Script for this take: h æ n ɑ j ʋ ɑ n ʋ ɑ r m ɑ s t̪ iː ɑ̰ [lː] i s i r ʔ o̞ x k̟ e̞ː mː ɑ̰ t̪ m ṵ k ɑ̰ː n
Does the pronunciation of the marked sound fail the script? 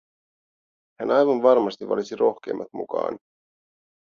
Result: yes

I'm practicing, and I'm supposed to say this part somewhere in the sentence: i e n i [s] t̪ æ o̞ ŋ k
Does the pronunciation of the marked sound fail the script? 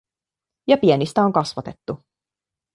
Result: no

